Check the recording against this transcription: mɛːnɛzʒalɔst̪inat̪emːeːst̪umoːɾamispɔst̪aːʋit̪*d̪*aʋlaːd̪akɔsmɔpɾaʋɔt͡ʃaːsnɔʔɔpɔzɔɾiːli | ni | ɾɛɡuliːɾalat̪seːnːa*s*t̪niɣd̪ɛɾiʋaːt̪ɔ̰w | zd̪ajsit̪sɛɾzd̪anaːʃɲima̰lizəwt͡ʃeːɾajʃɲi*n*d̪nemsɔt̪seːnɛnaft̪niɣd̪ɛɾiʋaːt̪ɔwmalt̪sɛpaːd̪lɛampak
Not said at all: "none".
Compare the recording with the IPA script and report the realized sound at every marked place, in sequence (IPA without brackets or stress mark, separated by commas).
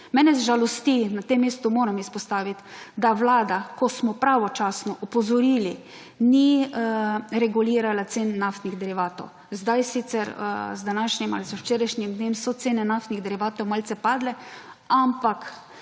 d̪, f, m